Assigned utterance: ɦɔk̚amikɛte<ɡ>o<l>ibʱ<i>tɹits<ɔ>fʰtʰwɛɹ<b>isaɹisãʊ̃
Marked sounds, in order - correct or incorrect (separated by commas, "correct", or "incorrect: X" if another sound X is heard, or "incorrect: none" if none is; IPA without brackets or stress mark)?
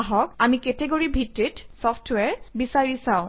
correct, incorrect: ɹ, correct, correct, correct